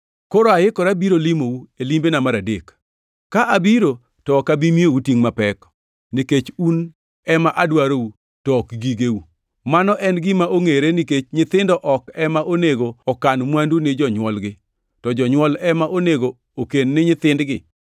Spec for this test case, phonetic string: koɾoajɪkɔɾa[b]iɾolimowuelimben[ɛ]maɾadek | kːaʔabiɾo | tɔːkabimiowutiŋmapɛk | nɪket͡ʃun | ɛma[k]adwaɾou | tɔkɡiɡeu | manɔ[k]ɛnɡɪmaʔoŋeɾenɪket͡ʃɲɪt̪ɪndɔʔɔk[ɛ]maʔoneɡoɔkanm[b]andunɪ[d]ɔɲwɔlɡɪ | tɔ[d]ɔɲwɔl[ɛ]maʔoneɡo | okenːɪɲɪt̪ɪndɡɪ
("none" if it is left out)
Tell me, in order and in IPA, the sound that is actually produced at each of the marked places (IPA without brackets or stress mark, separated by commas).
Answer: b, a, ʔ, ʔ, ɛ, w, d͡ʒ, d͡ʒ, ɛ